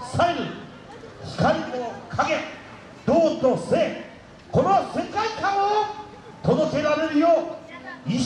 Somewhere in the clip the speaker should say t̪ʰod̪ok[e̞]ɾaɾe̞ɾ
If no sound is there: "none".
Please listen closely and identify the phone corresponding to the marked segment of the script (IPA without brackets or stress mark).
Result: e̞